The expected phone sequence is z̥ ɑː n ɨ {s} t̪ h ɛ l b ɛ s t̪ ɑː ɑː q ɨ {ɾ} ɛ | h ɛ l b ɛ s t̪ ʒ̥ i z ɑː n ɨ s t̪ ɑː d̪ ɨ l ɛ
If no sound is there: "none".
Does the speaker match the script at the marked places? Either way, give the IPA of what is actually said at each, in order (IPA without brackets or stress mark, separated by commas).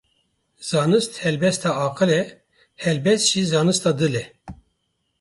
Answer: s, l